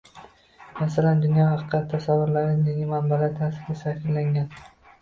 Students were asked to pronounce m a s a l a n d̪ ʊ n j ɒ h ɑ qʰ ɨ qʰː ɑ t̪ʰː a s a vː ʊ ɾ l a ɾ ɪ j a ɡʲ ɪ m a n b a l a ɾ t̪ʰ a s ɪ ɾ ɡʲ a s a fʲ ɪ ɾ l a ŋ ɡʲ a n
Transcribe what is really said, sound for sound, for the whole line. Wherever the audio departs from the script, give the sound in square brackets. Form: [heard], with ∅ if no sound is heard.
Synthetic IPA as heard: m a s a l a n d̪ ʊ n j ɒ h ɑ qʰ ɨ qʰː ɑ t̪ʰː a s a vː ʊ ɾ l a ɾ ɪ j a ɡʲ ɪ m a n b a l a ɾ t̪ʰ a s ɪ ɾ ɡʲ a s a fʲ ɪ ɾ l a ŋ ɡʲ a n

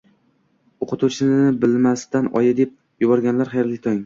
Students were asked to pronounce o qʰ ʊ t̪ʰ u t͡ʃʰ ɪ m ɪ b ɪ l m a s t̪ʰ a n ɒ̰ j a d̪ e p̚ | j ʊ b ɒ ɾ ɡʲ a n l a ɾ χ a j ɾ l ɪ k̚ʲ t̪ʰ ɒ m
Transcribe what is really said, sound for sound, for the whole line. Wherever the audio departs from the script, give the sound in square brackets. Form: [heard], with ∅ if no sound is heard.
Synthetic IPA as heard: o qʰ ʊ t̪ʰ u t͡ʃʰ ɪ [n] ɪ b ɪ l m a s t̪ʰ a n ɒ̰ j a d̪ e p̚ | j ʊ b ɒ ɾ ɡʲ a n l a ɾ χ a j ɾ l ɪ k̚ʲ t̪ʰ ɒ [ŋ]

